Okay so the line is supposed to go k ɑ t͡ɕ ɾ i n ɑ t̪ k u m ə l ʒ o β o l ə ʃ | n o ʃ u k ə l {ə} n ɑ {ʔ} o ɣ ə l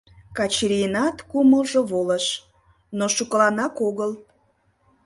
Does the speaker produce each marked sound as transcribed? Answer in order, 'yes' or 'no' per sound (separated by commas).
no, no